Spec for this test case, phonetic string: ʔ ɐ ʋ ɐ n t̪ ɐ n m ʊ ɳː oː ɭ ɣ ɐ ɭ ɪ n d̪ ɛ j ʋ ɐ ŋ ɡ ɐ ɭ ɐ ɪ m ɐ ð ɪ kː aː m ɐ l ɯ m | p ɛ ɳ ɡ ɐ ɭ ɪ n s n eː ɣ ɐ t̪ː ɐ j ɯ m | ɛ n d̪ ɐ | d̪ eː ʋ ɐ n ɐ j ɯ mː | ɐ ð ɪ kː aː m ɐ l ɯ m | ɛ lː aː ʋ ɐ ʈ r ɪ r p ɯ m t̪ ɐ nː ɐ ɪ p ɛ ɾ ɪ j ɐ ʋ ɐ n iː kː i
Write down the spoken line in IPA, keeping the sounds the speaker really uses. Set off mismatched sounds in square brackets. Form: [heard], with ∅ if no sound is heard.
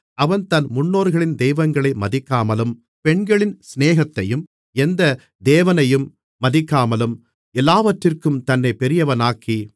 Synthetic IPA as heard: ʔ ɐ ʋ ɐ n t̪ ɐ n m ʊ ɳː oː [ɾ] ɣ ɐ ɭ ɪ n d̪ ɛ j ʋ ɐ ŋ ɡ ɐ ɭ ɐ ɪ m ɐ ð ɪ kː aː m ɐ l ɯ m | p ɛ ɳ ɡ ɐ ɭ ɪ n s n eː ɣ ɐ t̪ː ɐ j ɯ m | ɛ n d̪ ɐ | d̪ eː ʋ ɐ n ɐ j ɯ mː | ɐ ð ɪ kː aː m ɐ l ɯ m | ɛ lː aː ʋ ɐ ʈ r ɪ r [k] ɯ m t̪ ɐ nː ɐ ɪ p ɛ ɾ ɪ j ɐ ʋ ɐ n [aː] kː i